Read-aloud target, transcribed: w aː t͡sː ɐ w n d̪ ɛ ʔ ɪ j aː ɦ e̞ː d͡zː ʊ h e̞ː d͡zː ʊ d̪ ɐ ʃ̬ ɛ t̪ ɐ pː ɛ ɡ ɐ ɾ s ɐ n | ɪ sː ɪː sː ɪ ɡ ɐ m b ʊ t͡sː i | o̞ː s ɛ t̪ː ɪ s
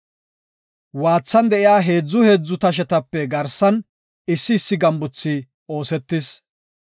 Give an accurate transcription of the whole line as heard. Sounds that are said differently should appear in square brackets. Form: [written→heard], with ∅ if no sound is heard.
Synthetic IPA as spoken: w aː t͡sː ɐ [w→∅] n d̪ ɛ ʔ ɪ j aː ɦ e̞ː d͡zː ʊ h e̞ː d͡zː ʊ [d̪→t̪] ɐ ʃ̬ ɛ t̪ ɐ pː ɛ ɡ ɐ ɾ s ɐ n | ɪ sː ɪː sː ɪ ɡ ɐ m b ʊ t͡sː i | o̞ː s ɛ t̪ː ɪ s